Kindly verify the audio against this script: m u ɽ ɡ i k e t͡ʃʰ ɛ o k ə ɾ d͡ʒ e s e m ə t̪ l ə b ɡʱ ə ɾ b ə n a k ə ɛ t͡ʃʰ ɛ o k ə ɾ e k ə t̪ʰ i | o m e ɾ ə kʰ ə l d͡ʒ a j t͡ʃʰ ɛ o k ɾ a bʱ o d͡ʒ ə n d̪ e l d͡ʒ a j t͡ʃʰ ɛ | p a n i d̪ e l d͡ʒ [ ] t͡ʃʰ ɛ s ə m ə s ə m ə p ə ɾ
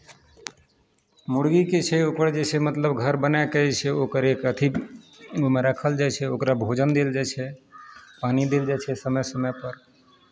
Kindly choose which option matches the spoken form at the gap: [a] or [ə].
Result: a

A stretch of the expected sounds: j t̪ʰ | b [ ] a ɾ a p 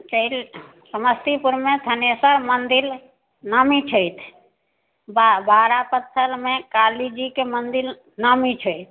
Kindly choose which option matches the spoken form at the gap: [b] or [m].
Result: b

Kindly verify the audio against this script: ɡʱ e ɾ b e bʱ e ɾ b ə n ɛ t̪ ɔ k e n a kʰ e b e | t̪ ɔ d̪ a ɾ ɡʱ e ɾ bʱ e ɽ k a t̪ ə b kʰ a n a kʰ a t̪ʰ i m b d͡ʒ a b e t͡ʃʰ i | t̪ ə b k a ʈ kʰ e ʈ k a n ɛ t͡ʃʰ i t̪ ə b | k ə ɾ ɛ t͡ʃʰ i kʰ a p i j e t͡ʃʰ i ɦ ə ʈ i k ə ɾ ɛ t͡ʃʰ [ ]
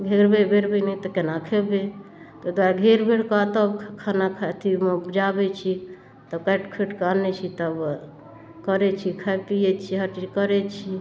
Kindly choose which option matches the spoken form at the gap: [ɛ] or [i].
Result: i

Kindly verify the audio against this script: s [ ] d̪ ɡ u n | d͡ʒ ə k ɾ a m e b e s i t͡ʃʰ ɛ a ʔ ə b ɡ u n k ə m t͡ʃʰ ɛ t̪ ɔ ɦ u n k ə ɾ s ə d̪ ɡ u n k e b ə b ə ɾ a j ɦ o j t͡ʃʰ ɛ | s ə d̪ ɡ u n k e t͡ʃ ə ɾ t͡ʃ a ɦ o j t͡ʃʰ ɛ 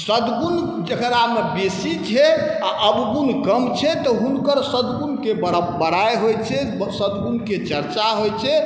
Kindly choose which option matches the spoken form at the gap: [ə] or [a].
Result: ə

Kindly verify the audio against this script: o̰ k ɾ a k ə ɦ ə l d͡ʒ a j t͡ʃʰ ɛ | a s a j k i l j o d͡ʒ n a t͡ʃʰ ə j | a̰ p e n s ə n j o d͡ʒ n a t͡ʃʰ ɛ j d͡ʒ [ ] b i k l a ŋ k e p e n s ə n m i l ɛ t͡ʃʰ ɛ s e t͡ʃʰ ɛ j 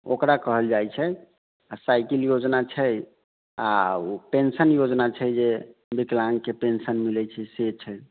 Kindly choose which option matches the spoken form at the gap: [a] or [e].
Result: e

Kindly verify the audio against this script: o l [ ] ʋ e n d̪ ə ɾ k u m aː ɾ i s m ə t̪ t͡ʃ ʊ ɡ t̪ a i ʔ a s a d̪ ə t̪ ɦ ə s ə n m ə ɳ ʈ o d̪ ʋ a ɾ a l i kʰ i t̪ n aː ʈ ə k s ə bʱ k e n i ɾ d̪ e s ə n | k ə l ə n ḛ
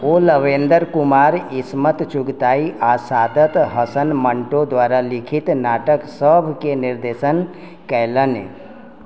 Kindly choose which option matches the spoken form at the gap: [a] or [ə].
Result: ə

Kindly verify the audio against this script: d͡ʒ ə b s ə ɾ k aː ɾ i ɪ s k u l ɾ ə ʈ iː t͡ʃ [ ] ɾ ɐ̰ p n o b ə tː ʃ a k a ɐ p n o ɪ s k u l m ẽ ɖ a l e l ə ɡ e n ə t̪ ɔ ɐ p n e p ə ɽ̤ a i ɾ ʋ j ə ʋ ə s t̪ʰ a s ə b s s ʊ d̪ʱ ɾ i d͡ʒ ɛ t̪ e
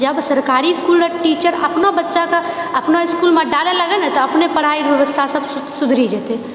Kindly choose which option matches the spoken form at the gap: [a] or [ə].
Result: ə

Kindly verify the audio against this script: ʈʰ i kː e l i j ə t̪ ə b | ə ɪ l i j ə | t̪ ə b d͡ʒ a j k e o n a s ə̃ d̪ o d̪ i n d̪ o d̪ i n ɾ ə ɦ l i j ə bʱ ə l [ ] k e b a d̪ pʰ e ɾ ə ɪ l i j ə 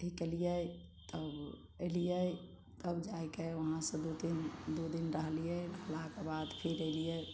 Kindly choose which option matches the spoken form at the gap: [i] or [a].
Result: a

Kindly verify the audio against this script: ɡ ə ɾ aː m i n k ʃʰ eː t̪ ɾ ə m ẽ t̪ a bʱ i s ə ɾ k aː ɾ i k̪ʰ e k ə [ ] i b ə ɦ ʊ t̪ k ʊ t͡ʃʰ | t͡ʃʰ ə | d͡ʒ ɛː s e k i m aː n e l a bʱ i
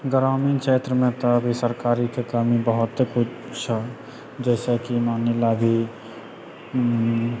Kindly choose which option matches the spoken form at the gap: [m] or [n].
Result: m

